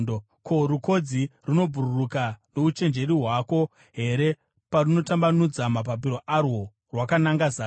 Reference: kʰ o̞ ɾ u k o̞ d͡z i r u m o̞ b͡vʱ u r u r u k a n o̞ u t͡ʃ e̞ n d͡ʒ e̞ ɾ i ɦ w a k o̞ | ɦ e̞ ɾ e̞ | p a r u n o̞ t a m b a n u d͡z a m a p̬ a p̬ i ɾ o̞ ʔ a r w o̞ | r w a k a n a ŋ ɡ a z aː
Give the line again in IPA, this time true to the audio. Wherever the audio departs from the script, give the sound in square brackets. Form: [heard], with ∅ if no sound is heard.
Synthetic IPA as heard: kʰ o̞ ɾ u k o̞ d͡z i r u [n] o̞ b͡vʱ u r u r u k a n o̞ u t͡ʃ e̞ n d͡ʒ e̞ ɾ i ɦ w a k o̞ | ɦ e̞ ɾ e̞ | p a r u n o̞ t a m b a n u d͡z a m a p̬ a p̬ i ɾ o̞ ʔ a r w o̞ | r w a k a n a ŋ ɡ a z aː